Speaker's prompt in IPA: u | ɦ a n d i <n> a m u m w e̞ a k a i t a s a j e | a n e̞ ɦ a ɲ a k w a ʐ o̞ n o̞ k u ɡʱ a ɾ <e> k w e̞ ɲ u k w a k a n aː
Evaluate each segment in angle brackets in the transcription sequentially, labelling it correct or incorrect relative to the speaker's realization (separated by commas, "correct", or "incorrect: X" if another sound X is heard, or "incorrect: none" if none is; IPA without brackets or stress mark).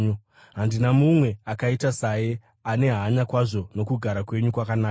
correct, incorrect: a